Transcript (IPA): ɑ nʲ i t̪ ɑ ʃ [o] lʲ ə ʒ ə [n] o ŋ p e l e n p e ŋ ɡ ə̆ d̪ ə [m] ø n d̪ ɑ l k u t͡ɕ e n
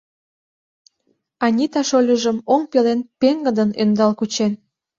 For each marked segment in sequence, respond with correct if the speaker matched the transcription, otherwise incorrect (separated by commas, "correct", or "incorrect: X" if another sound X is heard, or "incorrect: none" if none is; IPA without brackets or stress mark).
correct, incorrect: m, incorrect: n